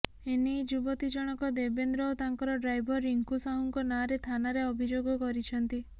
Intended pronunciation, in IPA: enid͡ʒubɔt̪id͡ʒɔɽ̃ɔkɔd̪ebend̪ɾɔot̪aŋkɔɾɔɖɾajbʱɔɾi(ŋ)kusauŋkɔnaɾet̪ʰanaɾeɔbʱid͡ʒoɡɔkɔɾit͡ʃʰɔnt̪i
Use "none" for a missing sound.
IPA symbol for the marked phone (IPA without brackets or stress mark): ŋ